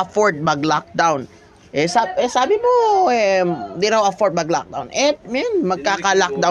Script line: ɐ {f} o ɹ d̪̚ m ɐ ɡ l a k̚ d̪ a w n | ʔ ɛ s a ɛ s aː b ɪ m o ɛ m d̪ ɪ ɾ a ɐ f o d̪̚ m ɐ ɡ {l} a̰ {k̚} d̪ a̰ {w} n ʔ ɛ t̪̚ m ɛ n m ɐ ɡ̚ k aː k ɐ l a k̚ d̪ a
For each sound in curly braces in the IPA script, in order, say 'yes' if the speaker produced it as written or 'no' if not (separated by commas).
yes, yes, yes, yes